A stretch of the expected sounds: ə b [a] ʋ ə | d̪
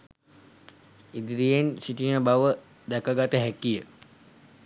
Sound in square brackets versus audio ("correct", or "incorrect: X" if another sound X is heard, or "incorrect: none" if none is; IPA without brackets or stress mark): correct